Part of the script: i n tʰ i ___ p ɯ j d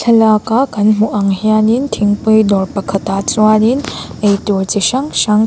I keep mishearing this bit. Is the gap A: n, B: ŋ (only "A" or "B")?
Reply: B